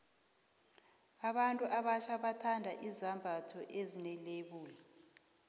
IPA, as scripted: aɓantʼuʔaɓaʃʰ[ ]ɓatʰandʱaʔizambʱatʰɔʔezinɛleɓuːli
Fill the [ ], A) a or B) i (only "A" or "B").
A